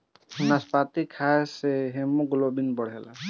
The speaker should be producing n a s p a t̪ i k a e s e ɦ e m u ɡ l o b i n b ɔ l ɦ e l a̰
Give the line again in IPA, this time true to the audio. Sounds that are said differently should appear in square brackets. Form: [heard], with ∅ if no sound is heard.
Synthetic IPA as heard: n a s p a t̪ i [kʰ] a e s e ɦ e m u ɡ l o b i n b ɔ [ɽ] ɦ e l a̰